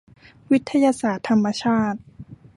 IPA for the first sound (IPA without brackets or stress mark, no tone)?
w